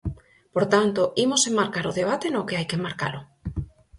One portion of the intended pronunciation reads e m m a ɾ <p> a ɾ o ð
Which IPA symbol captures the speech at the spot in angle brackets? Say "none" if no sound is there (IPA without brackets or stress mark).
k